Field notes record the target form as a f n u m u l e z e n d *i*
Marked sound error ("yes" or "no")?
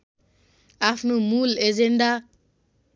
yes